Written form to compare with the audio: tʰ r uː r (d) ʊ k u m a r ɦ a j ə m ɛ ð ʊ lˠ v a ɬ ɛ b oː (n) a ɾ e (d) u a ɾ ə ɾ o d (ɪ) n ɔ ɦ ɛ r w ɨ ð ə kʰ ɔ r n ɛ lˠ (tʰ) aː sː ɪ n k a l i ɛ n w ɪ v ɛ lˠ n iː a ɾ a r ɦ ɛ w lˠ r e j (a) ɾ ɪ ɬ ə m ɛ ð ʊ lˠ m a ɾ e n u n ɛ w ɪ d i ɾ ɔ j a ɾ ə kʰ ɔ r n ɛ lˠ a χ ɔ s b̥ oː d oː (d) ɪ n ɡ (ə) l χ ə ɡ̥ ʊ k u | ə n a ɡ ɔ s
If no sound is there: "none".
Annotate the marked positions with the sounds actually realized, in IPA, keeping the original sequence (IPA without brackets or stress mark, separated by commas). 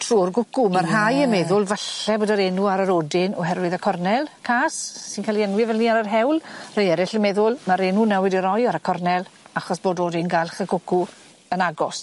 ɡ, d, n, ɪ, kʰ, ɛ, d, a